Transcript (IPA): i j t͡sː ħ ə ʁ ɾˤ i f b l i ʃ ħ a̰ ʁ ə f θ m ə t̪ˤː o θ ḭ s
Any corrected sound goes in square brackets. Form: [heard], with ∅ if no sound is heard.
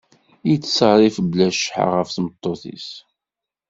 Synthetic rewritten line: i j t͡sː [s] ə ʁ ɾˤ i f b l [æ] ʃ ħ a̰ ʁ ə f θ m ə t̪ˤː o θ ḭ s